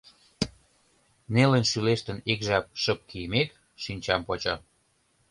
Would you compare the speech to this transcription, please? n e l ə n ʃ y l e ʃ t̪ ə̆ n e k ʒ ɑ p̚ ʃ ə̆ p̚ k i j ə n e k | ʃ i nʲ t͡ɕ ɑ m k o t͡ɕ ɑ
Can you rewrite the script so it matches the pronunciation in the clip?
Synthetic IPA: n e l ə n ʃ y l e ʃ t̪ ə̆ n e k ʒ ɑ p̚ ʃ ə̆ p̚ k i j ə m e k | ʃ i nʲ t͡ɕ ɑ m p o t͡ɕ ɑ

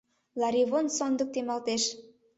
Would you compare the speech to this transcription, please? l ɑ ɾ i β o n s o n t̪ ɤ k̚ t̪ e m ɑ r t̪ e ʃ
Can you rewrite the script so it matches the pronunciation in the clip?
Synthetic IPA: l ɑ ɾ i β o n s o n d̪ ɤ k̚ t̪ e m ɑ l t̪ e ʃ

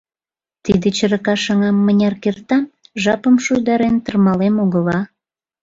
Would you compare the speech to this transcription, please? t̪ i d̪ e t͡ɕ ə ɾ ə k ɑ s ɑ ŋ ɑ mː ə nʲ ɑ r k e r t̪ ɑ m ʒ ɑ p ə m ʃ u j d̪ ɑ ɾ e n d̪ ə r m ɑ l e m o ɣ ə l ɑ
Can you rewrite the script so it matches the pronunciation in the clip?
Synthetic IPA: t̪ i d̪ e t͡ɕ ə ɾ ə k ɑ ʃ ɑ ŋ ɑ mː ə nʲ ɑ r k e r t̪ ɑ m ʒ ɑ p ə m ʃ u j d̪ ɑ ɾ e n t̪ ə r m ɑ l e m o ɣ ə l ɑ

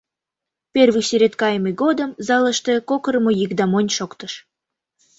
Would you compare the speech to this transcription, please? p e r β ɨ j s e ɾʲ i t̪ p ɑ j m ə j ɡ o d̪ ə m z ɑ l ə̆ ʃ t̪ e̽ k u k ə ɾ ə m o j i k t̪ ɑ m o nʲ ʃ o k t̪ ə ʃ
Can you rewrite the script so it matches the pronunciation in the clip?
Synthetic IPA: p e r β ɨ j s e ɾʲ e t̪ k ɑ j m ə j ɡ o d̪ ə m z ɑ l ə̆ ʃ t̪ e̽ k o k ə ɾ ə m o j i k d̪ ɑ m o nʲ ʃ o k t̪ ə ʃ

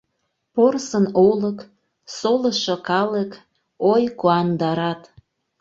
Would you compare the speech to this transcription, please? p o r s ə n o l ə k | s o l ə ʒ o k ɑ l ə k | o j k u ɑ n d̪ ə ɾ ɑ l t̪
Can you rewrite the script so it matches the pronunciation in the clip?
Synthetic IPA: p o r s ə n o l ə k | s o l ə ʃ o k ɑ l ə k | o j k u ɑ n d̪ ɑ ɾ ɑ t̪

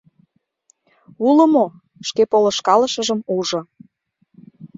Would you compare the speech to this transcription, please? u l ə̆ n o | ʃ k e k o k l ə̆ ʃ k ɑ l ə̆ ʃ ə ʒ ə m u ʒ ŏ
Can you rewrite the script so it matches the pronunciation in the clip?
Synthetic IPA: u l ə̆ m o | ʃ k e p o l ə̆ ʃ k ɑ l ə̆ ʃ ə ʒ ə m u ʒ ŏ

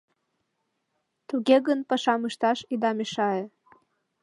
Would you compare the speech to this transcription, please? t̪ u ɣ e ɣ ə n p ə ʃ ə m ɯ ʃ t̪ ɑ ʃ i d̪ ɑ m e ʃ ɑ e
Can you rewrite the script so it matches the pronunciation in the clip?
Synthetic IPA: t̪ u ɣ e ɣ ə n p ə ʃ ɑ m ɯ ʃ t̪ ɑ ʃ i d̪ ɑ m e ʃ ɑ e

